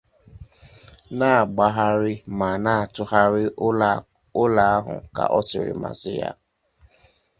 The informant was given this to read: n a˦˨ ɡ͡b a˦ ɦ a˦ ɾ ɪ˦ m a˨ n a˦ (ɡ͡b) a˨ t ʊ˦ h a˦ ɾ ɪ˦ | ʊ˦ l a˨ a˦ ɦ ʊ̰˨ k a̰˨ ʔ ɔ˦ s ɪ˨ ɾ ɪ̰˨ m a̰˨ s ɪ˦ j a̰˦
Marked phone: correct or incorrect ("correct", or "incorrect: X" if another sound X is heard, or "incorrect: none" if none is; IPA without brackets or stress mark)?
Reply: incorrect: none